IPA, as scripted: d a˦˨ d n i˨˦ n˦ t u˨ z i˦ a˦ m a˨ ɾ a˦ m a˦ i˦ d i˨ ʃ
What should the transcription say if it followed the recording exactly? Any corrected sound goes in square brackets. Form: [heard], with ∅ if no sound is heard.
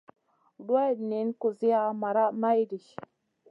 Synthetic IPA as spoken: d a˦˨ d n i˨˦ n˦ [k] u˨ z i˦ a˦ m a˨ ɾ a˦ m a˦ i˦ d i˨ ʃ